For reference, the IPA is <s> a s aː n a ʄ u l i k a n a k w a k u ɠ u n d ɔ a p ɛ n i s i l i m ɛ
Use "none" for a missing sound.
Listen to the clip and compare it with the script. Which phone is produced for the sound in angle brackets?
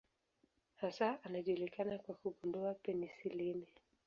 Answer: h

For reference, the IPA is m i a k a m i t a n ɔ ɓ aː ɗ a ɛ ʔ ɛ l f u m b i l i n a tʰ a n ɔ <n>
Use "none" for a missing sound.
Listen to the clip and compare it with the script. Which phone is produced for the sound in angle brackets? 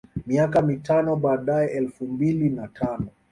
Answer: none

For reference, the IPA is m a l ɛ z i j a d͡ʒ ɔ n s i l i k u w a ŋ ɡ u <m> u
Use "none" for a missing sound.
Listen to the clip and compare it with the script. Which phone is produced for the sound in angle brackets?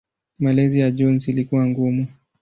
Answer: m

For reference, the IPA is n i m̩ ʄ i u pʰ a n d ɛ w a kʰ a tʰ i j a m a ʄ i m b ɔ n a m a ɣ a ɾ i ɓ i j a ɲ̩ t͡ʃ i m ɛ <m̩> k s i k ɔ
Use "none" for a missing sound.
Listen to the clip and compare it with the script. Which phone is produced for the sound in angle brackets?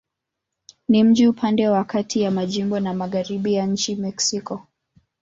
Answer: none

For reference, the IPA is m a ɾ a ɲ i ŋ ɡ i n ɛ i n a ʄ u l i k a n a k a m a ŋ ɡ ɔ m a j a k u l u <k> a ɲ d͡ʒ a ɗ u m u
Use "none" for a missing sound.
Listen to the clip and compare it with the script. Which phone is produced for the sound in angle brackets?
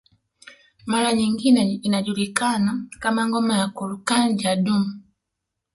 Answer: k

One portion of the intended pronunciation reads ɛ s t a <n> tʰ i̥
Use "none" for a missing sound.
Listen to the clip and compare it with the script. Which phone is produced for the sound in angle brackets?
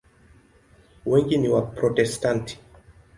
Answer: n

